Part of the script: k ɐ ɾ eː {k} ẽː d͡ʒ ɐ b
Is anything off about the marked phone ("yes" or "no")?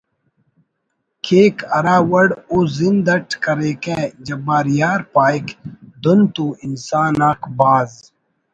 no